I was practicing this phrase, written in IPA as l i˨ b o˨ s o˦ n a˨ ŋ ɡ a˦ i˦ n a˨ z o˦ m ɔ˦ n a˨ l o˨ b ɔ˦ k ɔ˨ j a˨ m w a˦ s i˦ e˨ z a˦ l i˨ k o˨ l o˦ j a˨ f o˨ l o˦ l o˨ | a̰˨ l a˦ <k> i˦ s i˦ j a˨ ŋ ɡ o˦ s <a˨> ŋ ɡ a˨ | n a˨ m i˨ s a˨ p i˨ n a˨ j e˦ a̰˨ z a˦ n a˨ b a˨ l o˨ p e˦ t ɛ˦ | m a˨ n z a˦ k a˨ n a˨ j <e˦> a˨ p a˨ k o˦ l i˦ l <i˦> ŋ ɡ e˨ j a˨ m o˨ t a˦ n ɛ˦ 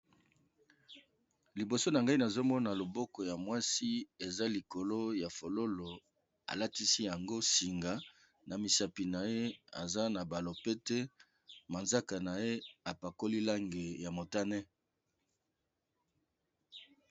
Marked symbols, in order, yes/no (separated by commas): no, no, yes, no